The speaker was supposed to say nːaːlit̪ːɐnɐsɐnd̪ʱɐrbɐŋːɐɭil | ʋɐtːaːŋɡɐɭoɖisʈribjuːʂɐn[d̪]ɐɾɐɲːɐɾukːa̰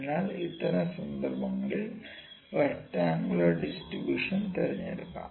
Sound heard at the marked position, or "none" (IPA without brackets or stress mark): t̪